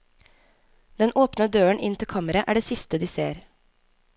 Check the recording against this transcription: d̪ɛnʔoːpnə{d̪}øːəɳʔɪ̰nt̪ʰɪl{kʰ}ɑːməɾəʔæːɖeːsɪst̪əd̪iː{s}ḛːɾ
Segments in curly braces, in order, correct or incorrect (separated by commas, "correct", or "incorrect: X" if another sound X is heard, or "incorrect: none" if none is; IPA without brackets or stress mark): correct, correct, correct